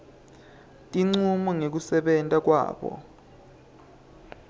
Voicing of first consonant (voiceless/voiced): voiceless